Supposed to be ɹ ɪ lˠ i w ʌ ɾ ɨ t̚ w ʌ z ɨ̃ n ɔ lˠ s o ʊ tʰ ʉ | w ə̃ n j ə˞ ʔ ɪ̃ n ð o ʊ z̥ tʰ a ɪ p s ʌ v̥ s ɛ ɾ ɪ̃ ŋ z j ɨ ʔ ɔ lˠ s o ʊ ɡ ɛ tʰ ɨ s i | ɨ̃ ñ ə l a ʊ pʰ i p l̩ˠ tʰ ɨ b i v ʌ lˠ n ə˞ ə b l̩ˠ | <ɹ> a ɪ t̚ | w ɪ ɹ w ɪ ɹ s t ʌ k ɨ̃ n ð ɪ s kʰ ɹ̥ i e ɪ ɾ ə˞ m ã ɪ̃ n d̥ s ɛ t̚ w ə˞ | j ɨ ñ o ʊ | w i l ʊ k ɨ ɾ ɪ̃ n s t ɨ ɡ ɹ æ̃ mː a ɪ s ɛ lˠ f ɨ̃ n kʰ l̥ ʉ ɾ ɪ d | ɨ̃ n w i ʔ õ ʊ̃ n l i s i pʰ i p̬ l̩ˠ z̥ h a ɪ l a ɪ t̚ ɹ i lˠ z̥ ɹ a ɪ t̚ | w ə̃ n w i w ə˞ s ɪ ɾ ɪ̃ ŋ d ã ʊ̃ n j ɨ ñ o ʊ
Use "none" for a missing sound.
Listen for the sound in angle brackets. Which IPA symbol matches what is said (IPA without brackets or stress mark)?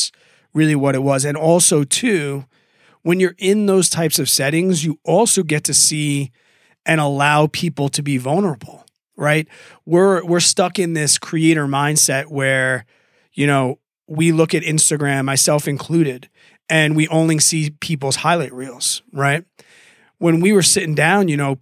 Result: ɹ